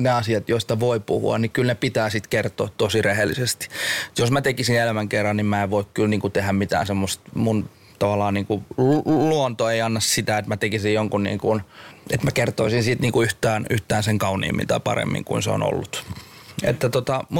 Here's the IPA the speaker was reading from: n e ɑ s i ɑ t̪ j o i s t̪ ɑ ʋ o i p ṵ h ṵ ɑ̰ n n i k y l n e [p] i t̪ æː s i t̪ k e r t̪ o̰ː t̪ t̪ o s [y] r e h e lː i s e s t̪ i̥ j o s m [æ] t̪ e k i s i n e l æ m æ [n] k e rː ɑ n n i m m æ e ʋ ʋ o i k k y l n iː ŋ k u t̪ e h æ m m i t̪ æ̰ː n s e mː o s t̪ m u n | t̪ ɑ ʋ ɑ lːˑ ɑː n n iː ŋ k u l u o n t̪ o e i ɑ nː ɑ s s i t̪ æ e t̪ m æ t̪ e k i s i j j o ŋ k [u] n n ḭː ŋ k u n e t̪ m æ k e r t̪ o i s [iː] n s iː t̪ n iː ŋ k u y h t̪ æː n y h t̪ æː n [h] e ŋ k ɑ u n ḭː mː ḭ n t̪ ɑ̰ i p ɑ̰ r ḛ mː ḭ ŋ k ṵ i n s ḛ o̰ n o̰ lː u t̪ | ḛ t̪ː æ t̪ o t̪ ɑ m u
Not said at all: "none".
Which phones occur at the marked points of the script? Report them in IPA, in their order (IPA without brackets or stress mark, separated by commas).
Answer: p, i, æ, ŋ, u, i, s